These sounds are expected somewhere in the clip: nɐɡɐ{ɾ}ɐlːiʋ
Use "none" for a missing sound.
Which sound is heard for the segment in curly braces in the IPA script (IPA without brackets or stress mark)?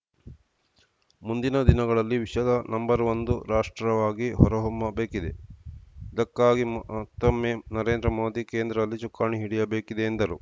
ɭ